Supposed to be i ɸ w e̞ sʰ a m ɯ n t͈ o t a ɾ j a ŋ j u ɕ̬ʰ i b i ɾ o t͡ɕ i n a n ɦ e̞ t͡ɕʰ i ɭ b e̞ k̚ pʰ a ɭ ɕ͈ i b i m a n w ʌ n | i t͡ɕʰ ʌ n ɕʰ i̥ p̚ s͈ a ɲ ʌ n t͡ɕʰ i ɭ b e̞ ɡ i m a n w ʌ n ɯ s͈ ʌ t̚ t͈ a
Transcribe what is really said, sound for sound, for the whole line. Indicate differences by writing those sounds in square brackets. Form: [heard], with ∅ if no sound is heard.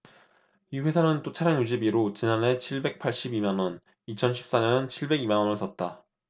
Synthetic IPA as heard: i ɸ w e̞ sʰ a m ɯ n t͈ o [t͡ɕʰ] a ɾ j a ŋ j u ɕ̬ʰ i b i ɾ o t͡ɕ i n a n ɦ e̞ t͡ɕʰ i ɭ b e̞ k̚ pʰ a ɭ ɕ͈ i b i m a n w ʌ n | i t͡ɕʰ ʌ n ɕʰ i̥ p̚ s͈ a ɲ ʌ n t͡ɕʰ i ɭ b e̞ ɡ i m a n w ʌ n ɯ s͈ ʌ t̚ t͈ a